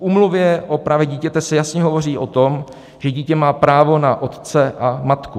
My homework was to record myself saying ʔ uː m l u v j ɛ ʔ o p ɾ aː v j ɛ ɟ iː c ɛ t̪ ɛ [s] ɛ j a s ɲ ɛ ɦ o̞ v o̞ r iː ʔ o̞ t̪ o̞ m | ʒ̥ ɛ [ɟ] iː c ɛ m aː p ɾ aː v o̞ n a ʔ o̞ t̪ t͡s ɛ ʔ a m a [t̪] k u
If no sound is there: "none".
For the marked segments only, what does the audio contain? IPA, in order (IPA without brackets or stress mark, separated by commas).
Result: s, ɟ, t̪